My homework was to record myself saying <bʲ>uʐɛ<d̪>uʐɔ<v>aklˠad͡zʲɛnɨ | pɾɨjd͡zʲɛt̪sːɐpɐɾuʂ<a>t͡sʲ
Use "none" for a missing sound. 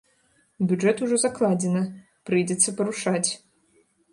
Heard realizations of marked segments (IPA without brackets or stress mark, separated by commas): bʲ, t̪, z, a